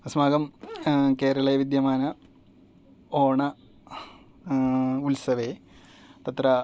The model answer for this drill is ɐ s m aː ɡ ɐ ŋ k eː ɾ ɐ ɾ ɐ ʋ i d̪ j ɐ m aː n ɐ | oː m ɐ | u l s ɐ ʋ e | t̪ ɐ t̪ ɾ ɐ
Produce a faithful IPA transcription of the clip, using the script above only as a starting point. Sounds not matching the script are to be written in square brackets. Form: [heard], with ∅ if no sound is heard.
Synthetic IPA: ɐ s m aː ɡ ɐ [m] k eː ɾ ɐ [ɭ] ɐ ʋ i d̪ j ɐ m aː n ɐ | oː [ɳ] ɐ | u l s ɐ ʋ e | t̪ ɐ t̪ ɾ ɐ